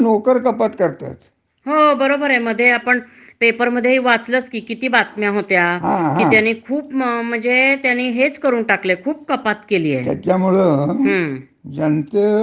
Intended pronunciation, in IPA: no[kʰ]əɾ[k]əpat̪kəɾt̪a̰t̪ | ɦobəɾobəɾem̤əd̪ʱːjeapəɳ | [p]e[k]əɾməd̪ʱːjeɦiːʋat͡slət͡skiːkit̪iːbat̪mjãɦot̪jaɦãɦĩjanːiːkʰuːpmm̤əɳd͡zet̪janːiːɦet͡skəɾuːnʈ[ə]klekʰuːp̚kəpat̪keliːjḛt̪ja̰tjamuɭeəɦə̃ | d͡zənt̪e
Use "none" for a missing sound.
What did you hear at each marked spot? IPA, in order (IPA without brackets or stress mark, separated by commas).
k, k, p, p, a